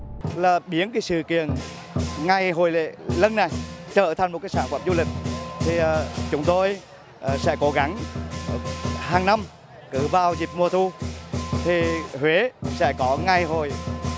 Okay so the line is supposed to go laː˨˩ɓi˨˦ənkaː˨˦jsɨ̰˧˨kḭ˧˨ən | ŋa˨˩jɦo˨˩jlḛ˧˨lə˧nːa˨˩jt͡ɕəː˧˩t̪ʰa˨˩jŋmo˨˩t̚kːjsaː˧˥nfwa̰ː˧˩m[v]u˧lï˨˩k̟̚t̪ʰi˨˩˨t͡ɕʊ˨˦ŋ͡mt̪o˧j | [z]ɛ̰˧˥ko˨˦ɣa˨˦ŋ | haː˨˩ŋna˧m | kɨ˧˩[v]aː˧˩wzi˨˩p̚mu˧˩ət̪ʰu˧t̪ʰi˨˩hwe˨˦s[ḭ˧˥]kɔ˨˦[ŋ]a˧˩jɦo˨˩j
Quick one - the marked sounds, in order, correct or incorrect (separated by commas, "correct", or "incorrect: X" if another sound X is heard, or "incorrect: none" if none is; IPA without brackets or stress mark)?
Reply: incorrect: z, incorrect: s, correct, incorrect: ɛ̰˧˥, correct